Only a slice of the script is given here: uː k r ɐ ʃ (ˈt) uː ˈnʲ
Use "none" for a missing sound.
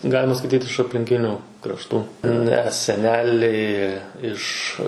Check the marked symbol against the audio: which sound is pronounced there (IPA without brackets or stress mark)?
t